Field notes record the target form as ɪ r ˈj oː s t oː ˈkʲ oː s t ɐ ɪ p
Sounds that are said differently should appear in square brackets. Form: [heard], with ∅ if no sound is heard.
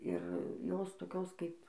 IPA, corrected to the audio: ɪ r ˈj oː s t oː ˈkʲ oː s [k] ɐ ɪ p